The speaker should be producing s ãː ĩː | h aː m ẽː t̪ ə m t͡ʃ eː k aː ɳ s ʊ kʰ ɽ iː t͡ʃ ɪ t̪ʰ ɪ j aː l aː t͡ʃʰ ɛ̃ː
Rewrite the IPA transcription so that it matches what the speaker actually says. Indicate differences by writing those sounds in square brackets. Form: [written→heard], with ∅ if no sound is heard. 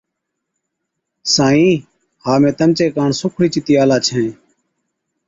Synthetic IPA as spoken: s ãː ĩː | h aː m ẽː t̪ ə m t͡ʃ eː k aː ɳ s ʊ kʰ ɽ iː t͡ʃ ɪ [t̪ʰ→t̪] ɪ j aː l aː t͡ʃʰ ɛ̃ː